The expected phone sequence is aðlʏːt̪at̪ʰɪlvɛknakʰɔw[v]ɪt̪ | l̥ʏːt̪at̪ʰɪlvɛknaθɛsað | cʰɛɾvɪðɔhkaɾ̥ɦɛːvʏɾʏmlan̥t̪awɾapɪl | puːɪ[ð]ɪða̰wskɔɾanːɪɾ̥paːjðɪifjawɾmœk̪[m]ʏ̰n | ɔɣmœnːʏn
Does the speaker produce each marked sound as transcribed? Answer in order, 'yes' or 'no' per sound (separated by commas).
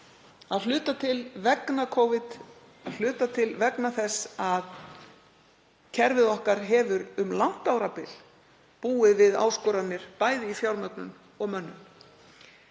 yes, no, no